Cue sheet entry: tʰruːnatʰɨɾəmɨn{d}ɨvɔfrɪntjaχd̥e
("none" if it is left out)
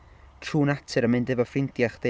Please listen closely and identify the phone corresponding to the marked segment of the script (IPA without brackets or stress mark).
d